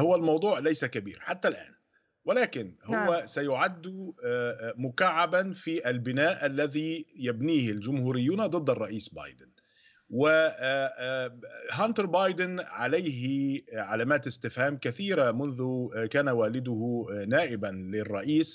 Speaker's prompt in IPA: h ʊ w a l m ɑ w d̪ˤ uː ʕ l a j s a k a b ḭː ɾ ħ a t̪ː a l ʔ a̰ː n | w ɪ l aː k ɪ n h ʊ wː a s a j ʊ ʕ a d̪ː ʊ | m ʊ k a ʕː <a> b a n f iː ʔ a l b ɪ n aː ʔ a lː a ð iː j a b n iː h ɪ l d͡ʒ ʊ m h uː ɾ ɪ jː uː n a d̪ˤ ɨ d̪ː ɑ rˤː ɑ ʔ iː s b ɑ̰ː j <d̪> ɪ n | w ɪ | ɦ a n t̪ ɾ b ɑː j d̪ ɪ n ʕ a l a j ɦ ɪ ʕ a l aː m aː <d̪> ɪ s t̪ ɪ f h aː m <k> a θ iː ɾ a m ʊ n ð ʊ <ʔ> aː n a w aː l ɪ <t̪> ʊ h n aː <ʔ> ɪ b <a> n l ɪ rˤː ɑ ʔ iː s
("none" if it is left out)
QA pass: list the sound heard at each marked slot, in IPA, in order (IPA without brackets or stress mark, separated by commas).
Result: a, d̪, t̪, k, k, d̪, ʔ, a